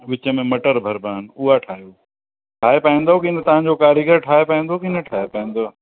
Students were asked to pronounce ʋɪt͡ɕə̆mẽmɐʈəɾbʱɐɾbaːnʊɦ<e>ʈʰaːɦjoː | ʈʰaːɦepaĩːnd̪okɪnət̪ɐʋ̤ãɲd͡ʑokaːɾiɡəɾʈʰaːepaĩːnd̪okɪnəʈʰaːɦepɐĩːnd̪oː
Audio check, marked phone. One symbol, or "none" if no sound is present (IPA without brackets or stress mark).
a